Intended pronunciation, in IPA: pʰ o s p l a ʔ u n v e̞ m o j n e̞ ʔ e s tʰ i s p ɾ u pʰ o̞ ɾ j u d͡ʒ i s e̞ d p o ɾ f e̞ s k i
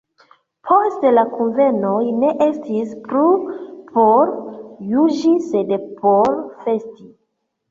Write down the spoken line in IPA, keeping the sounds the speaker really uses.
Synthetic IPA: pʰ o s t l a k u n v e̞ n o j n e̞ ʔ e s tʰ i s p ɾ u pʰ o̞ ɾ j u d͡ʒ i s e̞ d p o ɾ f e̞ s t i

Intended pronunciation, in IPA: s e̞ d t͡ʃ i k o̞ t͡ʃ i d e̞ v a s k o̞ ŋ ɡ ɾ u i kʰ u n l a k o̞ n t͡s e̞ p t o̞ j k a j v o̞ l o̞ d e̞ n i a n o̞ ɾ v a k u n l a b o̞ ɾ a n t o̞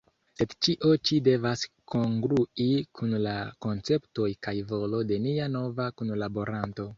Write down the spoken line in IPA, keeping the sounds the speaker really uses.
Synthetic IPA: s e̞ d t͡ʃ i ʔ o̞ t͡ʃ i d e̞ v a s k o̞ ŋ ɡ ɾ u i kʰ u n l a k o̞ n t͡s e̞ p t o̞ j k a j v o̞ l o̞ d e̞ n i a n o̞ v a k u n l a b o̞ ɾ a n t o̞

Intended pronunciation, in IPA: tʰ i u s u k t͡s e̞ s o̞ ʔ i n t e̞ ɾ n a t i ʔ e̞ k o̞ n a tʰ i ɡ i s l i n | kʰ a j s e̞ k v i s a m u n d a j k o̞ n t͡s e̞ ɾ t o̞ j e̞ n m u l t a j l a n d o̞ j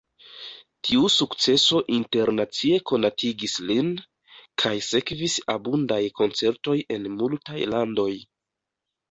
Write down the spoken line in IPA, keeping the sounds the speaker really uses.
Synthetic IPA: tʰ i u s u k t͡s e̞ s o̞ ʔ i n t e̞ ɾ n a t͡s i e̞ k o̞ n a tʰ i ɡ i s l i n | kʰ a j s e̞ k v i s a b u n d a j k o̞ n t͡s e̞ ɾ t o̞ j e̞ n m u l t a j l a n d o̞ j

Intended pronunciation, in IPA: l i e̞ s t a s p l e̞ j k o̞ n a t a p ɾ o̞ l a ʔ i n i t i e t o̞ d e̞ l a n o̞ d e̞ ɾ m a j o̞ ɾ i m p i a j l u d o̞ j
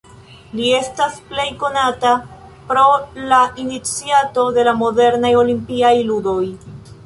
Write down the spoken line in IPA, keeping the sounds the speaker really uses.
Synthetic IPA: l i e̞ s t a s p l e̞ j k o̞ n a t a p ɾ o̞ l a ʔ i n i t͡s i a t o̞ d e̞ l a m o̞ d e̞ ɾ n a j o̞ l i m p i a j l u d o̞ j

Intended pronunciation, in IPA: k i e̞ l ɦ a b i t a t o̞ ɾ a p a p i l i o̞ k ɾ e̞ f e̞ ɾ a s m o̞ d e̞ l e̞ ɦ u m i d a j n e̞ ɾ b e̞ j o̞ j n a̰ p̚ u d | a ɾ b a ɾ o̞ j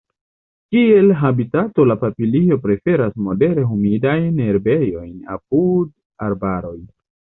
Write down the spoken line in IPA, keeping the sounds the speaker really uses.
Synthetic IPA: k i e̞ l ɦ a b i t a t o̞ l a p a p i l i o̞ p ɾ e̞ f e̞ ɾ a s m o̞ d e̞ ɾ e̞ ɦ u m i d a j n e̞ ɾ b e̞ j o̞ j n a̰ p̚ u d | a ɾ b a ɾ o̞ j

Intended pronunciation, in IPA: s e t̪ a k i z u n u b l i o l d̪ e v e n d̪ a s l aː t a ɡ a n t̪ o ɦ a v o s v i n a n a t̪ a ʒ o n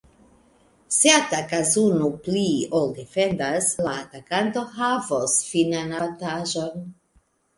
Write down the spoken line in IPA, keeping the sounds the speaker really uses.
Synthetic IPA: s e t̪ a k a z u n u p l i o l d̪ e f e n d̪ a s l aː t a k a n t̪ o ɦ a v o s f i n a n a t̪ a ʒ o n

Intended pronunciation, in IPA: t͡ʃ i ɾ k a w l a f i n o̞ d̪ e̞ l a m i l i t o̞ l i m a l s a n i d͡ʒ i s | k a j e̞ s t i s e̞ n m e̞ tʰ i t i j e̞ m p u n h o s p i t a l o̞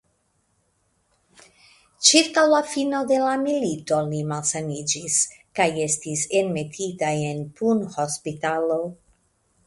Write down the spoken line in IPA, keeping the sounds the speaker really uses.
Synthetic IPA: t͡ʃ i ɾ k a w l a f i n o̞ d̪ e̞ l a m i l i t o̞ l i m a l s a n i d͡ʒ i s | k a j e̞ s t i s e̞ n m e̞ tʰ i t a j e̞ n p u n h o s p i t a l o̞

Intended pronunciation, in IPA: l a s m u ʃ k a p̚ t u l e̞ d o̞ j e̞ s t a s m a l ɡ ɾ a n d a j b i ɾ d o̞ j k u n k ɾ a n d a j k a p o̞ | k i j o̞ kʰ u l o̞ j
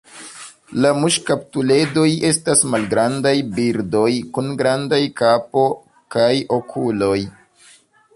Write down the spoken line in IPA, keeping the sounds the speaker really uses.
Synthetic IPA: l a m u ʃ k a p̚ t u l e̞ d o̞ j e̞ s t a s m a l ɡ ɾ a n d a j b i ɾ d o̞ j k u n ɡ ɾ a n d a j k a p o̞ | k a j o̞ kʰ u l o̞ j

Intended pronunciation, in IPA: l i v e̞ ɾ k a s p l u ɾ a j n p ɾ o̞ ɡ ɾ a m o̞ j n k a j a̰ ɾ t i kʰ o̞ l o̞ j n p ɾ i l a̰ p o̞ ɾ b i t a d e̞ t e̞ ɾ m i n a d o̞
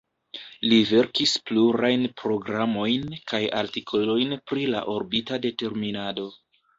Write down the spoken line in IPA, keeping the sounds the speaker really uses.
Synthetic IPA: l i v e̞ ɾ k i s p l u ɾ a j n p ɾ o̞ ɡ ɾ a m o̞ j n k a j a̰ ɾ t i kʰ o̞ l o̞ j n p ɾ i l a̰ ʔ o̞ ɾ b i t a d e̞ t e̞ ɾ m i n a d o̞

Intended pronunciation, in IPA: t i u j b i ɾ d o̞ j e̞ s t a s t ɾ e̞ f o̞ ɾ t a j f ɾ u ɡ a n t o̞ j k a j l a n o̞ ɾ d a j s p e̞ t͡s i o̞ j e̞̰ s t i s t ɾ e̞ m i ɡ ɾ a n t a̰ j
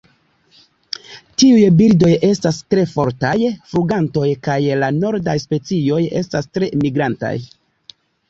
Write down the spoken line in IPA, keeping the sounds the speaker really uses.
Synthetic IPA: t i u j b i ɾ d o̞ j e̞ s t a s t ɾ e̞ f o̞ ɾ t a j f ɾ u ɡ a n t o̞ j k a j l a n o̞ ɾ d a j s p e̞ t͡s i o̞ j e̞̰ s t a s t ɾ e̞ m i ɡ ɾ a n t a̰ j

